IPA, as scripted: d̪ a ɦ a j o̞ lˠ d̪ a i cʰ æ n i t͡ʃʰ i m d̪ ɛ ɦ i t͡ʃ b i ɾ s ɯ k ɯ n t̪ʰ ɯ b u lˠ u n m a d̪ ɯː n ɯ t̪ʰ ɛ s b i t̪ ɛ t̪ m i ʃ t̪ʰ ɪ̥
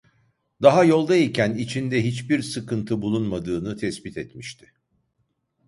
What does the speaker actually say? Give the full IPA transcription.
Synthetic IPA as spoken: d̪ a ɦ a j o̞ lˠ d̪ a i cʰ æ n i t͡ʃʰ i n d̪ ɛ ɦ i t͡ʃ b i ɾ s ɯ k ɯ n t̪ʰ ɯ b u lˠ u n m a d̪ ɯː n ɯ t̪ʰ ɛ s b i t̪ ɛ t̪ m i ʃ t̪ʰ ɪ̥